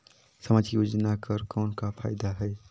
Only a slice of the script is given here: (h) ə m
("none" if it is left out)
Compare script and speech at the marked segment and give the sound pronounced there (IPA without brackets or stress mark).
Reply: s